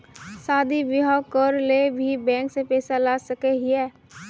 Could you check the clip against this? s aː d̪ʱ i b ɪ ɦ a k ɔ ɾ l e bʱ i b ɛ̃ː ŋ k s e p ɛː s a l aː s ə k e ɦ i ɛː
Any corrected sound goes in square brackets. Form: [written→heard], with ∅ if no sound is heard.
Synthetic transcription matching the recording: s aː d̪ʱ i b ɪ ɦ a k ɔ ɾ l e bʱ i b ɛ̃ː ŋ k s e p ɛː s a l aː s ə k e ɦ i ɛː